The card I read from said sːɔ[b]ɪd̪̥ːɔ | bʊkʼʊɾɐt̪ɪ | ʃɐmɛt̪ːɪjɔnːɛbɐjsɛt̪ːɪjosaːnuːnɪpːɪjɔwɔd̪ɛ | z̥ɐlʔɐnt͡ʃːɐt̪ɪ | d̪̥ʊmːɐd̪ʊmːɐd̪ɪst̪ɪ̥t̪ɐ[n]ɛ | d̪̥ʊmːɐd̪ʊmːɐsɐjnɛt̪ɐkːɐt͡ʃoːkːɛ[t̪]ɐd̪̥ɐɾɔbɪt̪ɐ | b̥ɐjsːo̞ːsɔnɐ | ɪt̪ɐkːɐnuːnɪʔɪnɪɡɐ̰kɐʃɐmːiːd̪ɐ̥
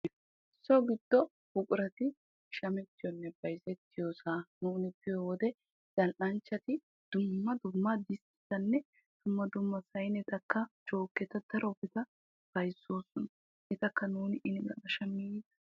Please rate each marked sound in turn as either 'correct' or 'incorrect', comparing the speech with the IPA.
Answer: incorrect: ɡ, incorrect: nː, correct

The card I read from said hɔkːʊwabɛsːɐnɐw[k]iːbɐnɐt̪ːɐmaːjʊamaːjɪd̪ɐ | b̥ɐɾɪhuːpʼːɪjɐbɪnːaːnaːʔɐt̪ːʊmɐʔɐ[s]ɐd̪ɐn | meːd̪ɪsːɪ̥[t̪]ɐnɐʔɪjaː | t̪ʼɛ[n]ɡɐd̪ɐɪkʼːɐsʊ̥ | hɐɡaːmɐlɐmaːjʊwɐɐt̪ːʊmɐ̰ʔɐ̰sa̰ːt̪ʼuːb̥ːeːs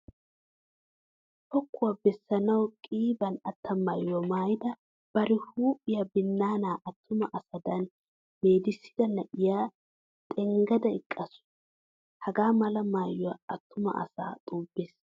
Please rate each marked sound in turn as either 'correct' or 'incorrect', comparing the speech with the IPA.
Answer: incorrect: kʼ, correct, incorrect: d̪, incorrect: ŋ

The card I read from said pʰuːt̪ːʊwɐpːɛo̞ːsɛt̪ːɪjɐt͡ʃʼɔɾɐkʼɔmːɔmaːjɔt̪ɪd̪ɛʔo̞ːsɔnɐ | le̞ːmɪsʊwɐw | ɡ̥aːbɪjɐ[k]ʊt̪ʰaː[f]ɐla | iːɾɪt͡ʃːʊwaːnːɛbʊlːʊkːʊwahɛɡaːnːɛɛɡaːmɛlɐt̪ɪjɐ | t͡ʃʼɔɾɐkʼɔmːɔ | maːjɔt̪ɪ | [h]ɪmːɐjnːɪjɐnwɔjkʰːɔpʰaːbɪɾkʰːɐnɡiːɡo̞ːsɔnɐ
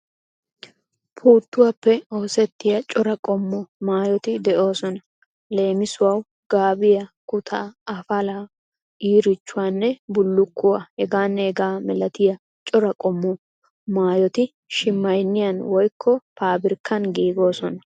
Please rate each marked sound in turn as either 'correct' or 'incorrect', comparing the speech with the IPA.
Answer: correct, correct, incorrect: ʃ

